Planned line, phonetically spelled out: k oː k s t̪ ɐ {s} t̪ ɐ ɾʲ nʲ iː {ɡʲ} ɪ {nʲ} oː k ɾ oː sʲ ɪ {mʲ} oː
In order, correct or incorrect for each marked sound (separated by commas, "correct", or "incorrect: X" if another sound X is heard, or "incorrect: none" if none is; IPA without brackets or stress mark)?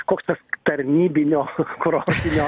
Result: correct, incorrect: bʲ, correct, incorrect: nʲ